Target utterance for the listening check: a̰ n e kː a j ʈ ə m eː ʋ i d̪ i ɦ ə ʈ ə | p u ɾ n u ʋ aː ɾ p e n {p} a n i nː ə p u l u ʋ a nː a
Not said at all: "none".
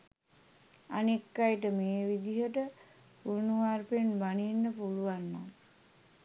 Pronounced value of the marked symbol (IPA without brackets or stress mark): b